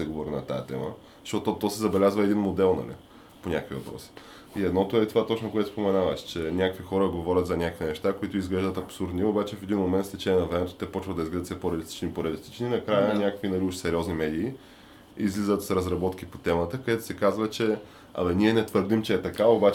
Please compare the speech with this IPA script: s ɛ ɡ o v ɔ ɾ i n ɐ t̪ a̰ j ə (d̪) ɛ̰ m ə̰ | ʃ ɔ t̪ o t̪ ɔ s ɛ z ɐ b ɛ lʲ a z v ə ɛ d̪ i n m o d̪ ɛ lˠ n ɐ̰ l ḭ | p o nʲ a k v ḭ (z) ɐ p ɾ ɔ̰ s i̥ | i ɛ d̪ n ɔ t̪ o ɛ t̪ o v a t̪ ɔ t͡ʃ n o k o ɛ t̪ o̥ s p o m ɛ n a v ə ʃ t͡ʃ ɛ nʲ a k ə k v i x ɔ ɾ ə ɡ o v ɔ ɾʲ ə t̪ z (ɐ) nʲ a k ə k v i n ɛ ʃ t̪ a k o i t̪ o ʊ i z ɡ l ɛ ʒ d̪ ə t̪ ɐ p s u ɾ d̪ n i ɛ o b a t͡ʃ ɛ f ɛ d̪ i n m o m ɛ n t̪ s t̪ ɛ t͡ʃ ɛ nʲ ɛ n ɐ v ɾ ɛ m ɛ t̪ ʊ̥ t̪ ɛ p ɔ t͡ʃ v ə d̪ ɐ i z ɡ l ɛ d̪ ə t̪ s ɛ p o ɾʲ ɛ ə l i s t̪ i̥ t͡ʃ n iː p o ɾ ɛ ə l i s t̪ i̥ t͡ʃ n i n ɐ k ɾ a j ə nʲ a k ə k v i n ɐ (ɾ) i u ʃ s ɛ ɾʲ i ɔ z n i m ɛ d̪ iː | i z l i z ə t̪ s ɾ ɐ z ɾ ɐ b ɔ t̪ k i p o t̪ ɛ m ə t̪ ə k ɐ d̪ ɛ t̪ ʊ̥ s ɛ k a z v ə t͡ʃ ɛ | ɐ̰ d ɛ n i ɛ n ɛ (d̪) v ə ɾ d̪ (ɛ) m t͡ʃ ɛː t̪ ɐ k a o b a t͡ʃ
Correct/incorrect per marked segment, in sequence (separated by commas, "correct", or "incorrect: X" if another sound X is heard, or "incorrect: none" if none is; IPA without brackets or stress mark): incorrect: t̪, incorrect: v, correct, incorrect: l, incorrect: t̪, incorrect: i